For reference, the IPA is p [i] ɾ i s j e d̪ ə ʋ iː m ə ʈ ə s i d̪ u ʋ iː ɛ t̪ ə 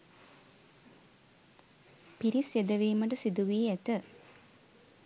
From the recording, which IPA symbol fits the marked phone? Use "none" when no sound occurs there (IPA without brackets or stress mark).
i